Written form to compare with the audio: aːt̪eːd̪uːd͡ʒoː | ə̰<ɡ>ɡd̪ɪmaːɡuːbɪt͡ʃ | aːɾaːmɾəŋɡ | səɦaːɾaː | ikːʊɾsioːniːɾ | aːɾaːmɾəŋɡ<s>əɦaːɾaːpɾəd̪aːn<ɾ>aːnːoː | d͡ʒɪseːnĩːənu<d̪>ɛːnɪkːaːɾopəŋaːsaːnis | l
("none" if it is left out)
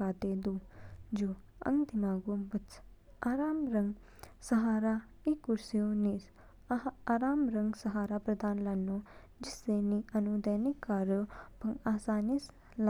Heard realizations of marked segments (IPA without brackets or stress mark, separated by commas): ŋ, s, l, d̪